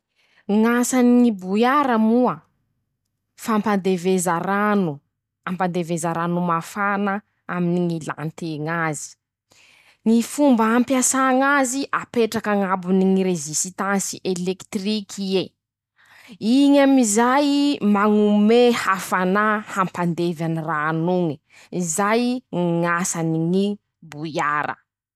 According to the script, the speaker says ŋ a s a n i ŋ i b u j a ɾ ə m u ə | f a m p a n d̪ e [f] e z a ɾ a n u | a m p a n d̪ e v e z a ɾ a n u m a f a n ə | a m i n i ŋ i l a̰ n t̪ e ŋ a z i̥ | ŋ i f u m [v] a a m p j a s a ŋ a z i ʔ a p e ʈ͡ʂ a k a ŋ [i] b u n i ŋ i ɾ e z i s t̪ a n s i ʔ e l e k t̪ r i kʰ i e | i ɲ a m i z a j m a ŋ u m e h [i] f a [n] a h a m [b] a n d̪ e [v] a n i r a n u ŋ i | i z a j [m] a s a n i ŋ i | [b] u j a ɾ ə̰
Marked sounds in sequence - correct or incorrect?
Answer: incorrect: v, incorrect: b, incorrect: a, incorrect: a, correct, incorrect: p, correct, incorrect: ŋ, correct

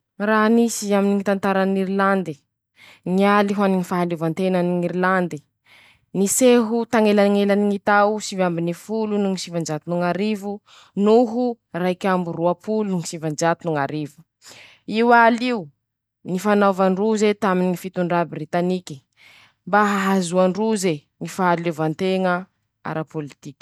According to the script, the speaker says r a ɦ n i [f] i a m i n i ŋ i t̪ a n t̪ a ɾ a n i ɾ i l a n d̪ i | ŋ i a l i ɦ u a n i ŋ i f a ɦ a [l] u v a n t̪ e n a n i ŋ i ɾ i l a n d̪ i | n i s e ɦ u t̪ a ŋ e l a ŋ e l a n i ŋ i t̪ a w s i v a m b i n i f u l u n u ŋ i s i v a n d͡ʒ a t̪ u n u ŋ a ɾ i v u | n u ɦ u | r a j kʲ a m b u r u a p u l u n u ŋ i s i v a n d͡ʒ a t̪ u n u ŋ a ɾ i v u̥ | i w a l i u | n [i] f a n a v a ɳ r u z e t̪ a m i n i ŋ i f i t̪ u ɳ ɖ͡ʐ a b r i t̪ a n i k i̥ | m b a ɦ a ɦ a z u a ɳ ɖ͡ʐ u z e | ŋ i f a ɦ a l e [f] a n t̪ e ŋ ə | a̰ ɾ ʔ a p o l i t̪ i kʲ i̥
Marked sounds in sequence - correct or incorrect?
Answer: incorrect: s, correct, correct, incorrect: v

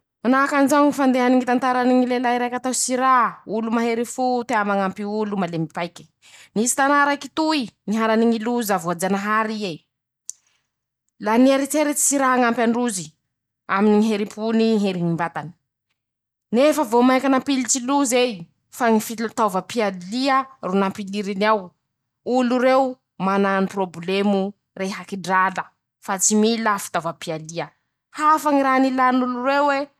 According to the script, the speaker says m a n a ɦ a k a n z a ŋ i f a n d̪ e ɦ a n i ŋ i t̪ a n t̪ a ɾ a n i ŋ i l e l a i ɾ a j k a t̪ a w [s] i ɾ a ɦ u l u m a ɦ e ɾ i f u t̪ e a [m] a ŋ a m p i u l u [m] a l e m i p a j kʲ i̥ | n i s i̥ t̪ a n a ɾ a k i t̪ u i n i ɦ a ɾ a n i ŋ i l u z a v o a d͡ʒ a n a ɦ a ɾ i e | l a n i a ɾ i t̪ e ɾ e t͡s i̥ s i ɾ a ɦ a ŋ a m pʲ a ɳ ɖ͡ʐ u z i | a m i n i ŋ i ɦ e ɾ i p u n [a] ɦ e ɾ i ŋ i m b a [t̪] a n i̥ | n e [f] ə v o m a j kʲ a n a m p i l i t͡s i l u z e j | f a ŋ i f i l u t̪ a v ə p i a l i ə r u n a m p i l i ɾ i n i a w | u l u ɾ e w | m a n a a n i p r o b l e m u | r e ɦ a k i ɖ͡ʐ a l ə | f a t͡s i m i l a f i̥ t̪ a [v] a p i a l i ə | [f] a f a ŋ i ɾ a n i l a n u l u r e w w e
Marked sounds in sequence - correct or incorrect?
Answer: correct, correct, correct, incorrect: i, correct, correct, correct, incorrect: h

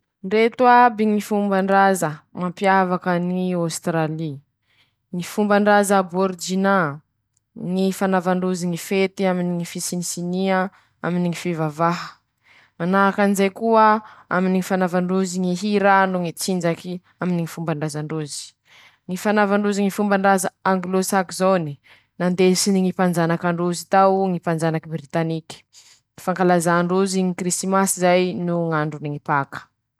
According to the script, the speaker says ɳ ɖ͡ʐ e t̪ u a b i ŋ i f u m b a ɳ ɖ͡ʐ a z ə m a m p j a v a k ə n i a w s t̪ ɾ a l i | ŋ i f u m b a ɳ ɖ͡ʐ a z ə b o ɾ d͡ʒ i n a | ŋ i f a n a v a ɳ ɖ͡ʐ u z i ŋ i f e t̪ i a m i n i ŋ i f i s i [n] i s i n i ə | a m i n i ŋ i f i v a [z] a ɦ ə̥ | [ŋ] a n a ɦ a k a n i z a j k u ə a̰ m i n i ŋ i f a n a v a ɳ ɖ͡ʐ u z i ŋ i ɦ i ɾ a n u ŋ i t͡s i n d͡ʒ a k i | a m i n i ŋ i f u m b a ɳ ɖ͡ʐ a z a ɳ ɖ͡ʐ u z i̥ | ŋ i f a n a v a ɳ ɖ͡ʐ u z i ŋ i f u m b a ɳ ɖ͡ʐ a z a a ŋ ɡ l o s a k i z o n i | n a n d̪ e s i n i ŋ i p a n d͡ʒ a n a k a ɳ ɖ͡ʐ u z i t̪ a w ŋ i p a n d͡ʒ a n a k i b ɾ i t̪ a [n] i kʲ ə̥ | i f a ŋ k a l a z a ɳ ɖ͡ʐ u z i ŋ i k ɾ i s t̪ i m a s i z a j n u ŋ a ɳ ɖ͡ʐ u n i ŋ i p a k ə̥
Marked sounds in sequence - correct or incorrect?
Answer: correct, incorrect: v, incorrect: m, correct

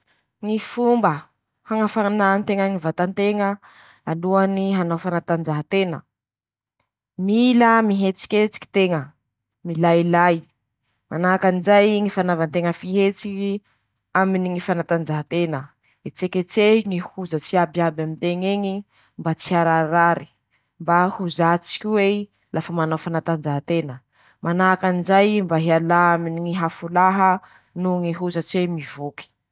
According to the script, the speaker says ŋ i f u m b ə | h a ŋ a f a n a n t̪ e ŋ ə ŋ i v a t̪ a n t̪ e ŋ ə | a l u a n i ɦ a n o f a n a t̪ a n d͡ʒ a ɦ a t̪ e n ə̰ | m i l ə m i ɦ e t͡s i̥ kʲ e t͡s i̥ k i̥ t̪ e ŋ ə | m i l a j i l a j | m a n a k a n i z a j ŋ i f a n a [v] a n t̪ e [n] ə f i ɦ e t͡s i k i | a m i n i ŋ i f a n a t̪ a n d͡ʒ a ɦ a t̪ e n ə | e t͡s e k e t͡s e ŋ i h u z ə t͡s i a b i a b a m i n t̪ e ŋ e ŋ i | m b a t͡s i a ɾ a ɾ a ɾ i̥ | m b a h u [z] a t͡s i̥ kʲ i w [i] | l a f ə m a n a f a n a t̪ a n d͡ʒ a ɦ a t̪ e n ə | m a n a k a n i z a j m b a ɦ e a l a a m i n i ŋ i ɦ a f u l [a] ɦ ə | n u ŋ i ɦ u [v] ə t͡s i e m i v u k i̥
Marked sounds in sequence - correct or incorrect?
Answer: correct, incorrect: ŋ, correct, incorrect: e, correct, incorrect: z

